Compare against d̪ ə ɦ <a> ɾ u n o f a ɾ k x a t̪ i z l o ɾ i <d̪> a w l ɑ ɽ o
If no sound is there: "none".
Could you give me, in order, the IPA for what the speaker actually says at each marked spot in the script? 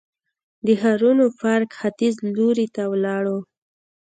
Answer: a, t̪

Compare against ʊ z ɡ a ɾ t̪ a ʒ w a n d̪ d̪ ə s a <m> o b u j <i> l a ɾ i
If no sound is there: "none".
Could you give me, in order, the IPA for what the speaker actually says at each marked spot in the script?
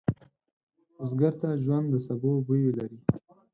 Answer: b, e

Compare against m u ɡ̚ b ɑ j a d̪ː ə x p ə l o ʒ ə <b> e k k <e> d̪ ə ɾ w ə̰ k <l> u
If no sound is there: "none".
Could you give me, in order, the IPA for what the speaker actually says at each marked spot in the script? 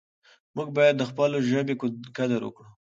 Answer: b, a, ɽ

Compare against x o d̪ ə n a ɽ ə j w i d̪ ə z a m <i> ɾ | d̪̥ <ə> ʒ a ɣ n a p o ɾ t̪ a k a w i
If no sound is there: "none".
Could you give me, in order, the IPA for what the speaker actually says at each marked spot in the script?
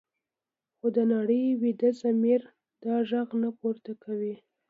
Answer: i, ɑ

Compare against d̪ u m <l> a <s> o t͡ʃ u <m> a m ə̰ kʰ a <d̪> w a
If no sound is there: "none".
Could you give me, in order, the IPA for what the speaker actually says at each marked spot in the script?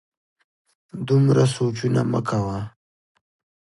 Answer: ɾ, s, n, none

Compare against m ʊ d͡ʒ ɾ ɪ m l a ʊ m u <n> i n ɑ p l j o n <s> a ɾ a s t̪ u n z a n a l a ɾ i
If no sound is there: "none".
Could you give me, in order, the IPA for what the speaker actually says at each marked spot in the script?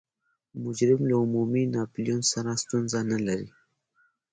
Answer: m, s

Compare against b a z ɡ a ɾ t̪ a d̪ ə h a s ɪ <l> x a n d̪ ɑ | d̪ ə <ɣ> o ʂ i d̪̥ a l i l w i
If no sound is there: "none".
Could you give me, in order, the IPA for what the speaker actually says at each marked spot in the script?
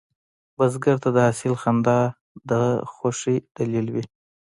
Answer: l, x

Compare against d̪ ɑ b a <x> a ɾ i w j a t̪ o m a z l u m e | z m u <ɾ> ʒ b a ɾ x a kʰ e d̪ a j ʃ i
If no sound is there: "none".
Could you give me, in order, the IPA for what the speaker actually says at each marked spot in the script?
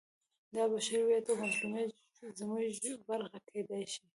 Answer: ʃ, none

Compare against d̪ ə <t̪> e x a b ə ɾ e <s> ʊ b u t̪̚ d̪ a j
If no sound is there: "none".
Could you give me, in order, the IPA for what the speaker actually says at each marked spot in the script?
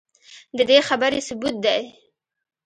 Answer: d̪, s

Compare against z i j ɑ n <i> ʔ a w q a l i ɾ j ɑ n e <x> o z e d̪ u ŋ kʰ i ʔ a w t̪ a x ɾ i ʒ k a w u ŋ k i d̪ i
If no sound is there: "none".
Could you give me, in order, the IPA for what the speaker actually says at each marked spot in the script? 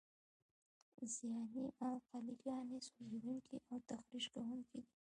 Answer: i, s

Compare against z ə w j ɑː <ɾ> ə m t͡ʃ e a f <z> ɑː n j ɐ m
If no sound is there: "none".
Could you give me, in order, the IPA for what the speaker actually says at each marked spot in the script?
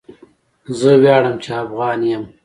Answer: ɽ, ɣ

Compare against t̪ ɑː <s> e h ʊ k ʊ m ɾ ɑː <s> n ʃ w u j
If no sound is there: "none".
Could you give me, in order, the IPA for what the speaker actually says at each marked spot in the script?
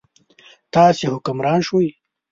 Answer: s, none

